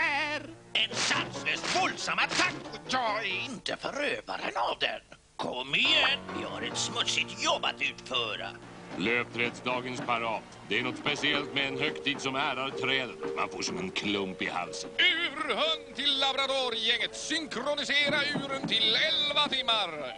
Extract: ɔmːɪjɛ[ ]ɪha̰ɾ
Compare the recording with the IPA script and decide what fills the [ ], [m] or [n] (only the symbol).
n